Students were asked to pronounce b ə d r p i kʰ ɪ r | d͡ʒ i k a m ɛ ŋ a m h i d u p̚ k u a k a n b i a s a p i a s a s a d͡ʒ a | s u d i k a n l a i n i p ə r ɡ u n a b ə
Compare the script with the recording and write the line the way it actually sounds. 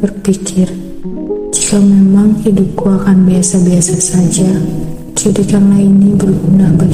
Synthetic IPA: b ə r p i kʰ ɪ r | d͡ʒ i k a m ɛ m a ŋ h i d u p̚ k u a k a n b i a s a b i a s a s a d͡ʒ a | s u d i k a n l a i n i b ə r ɡ u n a b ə